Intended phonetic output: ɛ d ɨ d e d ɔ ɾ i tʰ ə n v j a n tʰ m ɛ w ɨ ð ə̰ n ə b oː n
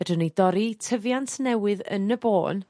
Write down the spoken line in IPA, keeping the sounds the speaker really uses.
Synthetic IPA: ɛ d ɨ n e d ɔ ɾ i tʰ ə v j a n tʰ n ɛ w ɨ ð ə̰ n ə b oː n